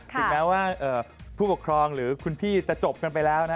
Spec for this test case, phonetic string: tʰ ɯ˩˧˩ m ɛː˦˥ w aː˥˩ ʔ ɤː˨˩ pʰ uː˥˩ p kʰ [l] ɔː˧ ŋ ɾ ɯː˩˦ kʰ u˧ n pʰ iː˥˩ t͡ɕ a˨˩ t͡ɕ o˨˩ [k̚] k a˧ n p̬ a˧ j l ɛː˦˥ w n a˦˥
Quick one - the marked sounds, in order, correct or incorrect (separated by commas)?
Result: incorrect, incorrect